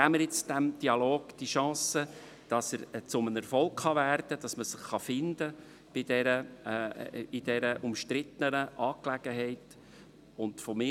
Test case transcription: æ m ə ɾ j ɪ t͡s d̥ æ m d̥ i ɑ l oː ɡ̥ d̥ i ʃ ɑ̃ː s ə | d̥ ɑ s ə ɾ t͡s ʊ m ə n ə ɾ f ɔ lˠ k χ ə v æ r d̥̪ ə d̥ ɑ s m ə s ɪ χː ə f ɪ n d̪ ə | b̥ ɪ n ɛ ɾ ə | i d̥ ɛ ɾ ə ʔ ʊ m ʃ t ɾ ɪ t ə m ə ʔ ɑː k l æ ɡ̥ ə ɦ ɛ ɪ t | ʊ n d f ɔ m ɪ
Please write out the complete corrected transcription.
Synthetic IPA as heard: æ m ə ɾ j ɪ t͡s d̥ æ m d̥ i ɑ l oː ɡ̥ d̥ i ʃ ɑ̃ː s ə | d̥ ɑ s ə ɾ t͡s ʊ m ə n ə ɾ f ɔ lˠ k χ ɑ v æ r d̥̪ ə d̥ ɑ s m ə s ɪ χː ɑ f ɪ n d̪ ə | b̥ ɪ d ɛ ɾ ə | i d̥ ɛ ɾ ə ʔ ʊ m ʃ t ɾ ɪ t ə n ə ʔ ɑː k l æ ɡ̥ ə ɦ ɛ ɪ t | ʊ n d f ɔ m ɪ